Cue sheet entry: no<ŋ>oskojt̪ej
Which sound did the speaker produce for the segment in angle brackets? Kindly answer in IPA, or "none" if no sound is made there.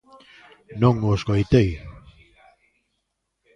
ŋ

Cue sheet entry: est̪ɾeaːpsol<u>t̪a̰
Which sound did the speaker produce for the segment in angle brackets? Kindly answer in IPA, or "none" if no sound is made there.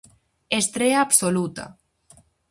u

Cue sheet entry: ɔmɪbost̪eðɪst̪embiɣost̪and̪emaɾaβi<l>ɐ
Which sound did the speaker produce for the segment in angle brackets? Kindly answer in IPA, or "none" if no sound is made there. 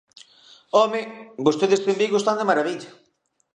ʎ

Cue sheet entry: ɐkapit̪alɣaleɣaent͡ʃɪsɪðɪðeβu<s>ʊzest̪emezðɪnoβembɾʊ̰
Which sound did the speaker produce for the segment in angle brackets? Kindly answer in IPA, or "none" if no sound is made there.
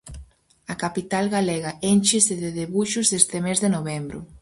ʃ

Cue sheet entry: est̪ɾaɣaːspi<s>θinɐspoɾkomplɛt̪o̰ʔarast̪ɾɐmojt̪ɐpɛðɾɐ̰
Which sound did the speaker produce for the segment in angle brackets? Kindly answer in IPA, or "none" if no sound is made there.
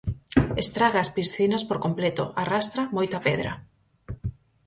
s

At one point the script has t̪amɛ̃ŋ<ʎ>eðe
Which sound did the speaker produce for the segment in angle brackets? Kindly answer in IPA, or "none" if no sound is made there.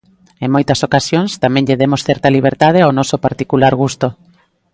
ʎ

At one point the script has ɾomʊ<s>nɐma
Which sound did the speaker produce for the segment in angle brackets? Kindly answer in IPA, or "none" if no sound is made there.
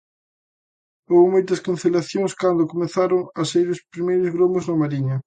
z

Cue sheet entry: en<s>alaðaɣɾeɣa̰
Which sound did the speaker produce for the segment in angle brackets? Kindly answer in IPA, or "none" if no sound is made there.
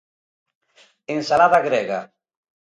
s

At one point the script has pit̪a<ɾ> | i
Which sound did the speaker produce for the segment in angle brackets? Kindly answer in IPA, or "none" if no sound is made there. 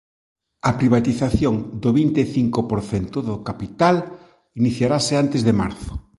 l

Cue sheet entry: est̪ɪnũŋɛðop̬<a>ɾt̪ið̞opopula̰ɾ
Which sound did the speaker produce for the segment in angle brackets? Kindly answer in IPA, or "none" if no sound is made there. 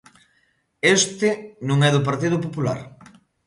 a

